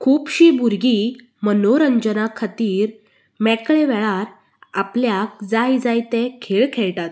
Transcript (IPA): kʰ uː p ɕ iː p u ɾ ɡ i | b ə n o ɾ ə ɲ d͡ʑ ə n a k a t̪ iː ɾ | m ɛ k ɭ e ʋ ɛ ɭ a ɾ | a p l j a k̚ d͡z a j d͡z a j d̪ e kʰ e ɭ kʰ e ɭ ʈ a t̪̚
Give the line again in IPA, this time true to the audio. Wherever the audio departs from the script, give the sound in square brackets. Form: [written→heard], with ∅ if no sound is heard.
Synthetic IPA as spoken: kʰ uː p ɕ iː [p→b] u ɾ ɡ i | [b→m] ə n o ɾ ə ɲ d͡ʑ ə n a [k→kʰ] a t̪ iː ɾ | m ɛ k ɭ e ʋ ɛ ɭ a ɾ | a p l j a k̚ d͡z a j d͡z a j [d̪→t̪] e kʰ e ɭ kʰ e ɭ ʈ a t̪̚